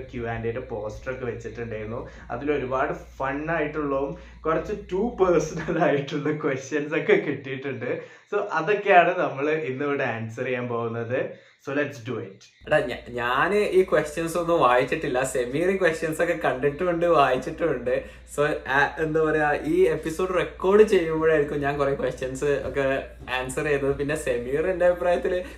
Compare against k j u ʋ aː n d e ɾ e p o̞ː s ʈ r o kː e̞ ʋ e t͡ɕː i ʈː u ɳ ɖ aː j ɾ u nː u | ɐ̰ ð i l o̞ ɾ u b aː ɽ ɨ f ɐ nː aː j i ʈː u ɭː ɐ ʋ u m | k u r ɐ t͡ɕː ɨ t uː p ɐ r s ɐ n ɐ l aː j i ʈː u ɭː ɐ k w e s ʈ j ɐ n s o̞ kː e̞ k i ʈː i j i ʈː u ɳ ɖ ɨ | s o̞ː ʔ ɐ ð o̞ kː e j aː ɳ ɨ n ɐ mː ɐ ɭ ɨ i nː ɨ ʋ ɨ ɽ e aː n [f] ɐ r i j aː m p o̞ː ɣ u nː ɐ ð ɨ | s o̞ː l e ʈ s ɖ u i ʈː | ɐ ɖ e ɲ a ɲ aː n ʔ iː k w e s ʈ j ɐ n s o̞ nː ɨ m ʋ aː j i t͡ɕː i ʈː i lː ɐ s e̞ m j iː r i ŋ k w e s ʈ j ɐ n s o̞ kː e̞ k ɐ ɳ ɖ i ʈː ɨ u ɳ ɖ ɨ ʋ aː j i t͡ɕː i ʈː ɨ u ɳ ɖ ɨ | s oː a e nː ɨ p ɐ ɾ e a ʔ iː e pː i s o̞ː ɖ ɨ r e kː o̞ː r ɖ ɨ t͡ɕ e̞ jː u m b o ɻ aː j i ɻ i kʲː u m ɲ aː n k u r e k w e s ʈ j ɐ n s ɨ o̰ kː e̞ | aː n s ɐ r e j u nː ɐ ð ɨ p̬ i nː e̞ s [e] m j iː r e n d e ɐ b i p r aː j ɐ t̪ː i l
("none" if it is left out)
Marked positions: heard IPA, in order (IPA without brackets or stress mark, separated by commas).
s, e